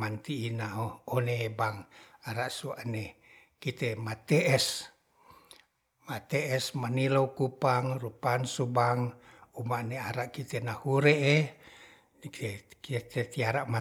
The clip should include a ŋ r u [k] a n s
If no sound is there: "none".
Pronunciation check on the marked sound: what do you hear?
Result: p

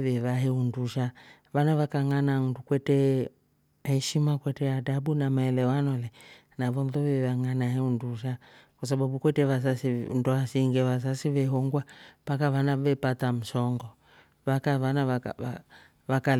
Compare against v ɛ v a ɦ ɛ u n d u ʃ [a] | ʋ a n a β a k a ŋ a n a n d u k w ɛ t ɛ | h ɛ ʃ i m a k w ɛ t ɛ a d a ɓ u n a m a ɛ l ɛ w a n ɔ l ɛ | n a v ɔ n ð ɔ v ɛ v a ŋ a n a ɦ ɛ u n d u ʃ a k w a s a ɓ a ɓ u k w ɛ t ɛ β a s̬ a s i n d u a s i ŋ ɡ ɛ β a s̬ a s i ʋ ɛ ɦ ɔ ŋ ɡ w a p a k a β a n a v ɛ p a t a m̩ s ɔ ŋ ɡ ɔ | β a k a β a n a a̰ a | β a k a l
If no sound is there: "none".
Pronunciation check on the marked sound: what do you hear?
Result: a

